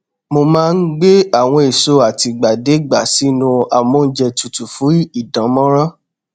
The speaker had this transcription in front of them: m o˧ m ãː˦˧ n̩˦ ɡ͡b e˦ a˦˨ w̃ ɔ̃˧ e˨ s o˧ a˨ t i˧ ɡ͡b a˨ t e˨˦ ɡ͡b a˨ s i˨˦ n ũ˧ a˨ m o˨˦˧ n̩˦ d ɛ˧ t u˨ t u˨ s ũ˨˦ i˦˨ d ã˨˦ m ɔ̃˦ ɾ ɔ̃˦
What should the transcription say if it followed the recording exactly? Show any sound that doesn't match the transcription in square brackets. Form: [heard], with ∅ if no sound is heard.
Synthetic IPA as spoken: m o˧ m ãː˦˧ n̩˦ ɡ͡b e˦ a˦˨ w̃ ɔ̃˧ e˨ s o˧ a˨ t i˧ ɡ͡b a˨ [d] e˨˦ ɡ͡b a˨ s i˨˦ n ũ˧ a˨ m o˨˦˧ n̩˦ [d͡ʒ] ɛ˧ t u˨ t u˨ [f] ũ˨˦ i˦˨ d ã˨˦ m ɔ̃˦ ɾ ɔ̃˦

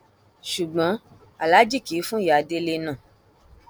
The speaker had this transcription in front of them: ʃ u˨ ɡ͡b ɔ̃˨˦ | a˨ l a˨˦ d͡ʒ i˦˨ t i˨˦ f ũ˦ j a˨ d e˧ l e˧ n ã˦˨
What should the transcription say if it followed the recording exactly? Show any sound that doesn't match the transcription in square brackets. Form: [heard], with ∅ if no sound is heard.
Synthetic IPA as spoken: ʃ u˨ ɡ͡b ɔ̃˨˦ | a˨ l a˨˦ d͡ʒ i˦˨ [k] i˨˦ f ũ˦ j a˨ d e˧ l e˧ n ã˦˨

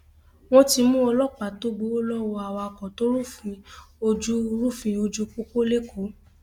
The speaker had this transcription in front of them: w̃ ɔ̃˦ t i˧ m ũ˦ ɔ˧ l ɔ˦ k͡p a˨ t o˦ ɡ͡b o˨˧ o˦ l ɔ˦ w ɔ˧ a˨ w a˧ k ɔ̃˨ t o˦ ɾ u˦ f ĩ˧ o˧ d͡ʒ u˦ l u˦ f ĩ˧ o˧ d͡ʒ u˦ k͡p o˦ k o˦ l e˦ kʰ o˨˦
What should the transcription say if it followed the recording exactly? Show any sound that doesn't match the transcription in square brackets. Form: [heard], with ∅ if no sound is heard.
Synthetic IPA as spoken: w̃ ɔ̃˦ t i˧ m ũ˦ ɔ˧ l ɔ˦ k͡p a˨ t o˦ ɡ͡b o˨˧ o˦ l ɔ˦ w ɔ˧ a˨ w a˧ k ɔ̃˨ t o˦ ɾ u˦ f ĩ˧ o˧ d͡ʒ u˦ [ɾ] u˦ f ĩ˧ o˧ d͡ʒ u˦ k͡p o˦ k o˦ l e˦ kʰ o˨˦

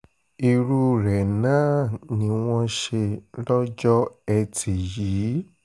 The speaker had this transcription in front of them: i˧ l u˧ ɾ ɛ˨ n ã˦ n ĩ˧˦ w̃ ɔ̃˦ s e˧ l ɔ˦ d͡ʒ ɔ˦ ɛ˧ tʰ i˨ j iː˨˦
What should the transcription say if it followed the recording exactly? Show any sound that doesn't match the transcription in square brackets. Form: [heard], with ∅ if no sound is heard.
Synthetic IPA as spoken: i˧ [ɾ] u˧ ɾ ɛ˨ n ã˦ n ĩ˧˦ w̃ ɔ̃˦ [ʃ] e˧ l ɔ˦ d͡ʒ ɔ˦ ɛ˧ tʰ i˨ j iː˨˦

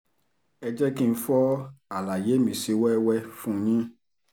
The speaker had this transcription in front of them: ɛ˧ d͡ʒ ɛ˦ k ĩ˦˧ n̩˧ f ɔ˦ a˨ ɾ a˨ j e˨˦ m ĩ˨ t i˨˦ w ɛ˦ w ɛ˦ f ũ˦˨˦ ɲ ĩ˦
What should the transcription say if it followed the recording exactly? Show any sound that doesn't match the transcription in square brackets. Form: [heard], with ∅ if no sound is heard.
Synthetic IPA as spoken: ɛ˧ d͡ʒ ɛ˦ k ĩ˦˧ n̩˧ f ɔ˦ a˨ [l] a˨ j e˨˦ m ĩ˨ [s] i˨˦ w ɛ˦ w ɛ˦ f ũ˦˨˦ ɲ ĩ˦

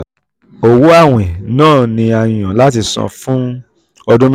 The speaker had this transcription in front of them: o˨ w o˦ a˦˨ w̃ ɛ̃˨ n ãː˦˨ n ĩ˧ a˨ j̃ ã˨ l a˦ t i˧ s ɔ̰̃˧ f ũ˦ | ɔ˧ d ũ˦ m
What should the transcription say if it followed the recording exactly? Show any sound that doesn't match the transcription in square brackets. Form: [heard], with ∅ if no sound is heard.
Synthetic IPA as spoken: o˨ w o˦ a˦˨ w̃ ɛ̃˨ n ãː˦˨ n ĩ˧ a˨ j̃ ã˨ l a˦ t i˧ s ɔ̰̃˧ f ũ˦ | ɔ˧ d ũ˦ m

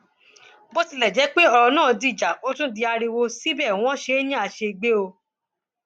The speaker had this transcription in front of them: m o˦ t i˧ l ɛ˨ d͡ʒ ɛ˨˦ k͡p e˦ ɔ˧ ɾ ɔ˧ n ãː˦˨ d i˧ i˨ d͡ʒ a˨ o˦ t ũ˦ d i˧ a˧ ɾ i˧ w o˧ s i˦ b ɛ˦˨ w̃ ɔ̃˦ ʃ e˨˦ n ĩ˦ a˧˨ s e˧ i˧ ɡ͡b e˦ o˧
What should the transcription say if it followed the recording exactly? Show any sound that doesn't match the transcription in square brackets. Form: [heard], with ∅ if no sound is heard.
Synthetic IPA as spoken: [b] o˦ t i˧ l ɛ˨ d͡ʒ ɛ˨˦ k͡p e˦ ɔ˧ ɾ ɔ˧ n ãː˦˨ d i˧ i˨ d͡ʒ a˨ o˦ t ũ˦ d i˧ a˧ ɾ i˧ w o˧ s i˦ b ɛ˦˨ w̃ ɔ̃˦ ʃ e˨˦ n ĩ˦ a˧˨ [ʃ] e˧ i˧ ɡ͡b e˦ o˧

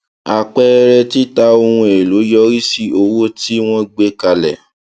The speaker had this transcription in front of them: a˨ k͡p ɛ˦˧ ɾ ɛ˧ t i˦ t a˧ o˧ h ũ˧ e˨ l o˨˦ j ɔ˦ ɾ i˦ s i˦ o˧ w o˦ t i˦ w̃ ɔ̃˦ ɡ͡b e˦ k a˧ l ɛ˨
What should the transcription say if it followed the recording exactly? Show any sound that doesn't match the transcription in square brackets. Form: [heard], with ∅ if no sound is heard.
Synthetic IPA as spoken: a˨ k͡p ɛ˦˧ ɾ ɛ˧ t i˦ t a˧ o˧ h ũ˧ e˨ l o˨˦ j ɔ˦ ɾ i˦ s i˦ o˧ w o˦ t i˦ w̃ ɔ̃˦ ɡ͡b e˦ k a˧ l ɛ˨

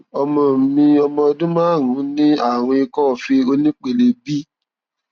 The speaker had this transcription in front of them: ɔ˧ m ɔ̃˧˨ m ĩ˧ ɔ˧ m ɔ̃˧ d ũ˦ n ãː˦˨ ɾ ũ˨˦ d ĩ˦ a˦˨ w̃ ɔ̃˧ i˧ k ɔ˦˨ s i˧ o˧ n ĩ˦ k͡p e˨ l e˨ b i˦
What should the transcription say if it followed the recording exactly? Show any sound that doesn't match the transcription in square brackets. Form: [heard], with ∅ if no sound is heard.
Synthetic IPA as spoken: ɔ˧ m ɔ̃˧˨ m ĩ˧ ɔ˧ m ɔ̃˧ d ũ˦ [m] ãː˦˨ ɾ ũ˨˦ [n] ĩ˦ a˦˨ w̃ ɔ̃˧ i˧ k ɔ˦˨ [f] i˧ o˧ n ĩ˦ k͡p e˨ l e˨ b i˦

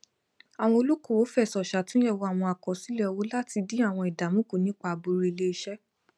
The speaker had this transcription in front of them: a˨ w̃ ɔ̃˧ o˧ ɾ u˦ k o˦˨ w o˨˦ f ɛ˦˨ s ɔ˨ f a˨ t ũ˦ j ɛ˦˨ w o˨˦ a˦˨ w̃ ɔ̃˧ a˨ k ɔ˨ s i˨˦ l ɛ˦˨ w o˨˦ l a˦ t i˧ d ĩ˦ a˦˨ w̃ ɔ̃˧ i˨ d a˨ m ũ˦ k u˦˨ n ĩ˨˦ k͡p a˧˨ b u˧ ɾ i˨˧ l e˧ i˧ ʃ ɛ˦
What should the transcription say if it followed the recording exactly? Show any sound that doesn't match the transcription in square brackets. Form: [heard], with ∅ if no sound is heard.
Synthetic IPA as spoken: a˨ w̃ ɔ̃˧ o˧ [l] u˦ k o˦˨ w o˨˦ f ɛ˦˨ s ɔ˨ [ʃ] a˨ t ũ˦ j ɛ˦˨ w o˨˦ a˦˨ w̃ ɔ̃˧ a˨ k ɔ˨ s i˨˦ l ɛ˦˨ w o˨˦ l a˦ t i˧ d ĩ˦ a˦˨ w̃ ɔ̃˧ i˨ d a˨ m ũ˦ k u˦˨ n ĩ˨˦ k͡p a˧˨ b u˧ ɾ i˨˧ l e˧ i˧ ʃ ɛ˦

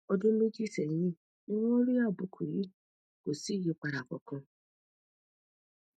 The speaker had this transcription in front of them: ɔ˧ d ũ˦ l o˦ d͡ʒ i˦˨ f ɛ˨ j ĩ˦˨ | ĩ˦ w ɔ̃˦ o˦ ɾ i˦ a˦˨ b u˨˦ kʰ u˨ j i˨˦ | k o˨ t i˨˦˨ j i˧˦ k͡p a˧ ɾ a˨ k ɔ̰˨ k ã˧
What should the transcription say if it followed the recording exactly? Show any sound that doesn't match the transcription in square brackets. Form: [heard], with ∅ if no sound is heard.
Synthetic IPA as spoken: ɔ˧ d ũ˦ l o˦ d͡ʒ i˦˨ [s] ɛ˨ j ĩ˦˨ | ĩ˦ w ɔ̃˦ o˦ ɾ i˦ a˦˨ b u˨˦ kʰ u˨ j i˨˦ | k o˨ [s] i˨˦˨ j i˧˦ k͡p a˧ ɾ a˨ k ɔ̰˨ k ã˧

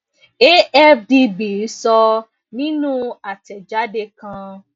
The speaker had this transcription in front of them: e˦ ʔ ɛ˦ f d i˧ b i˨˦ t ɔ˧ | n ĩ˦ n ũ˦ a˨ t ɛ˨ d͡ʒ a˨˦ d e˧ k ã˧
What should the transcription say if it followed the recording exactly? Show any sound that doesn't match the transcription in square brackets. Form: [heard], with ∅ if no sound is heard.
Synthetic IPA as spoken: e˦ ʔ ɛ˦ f d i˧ b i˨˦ [s] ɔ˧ | n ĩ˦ n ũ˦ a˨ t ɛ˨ d͡ʒ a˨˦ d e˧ k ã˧

